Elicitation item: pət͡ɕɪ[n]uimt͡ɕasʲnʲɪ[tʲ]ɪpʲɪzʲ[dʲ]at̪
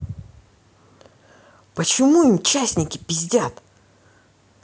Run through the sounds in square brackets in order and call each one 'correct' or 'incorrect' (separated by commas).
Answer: incorrect, incorrect, correct